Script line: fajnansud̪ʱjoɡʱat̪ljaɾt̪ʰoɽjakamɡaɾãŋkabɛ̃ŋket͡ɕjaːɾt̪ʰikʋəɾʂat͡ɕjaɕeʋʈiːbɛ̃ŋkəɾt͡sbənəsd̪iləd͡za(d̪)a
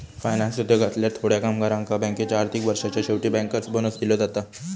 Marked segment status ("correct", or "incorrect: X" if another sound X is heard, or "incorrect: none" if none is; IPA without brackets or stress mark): incorrect: t̪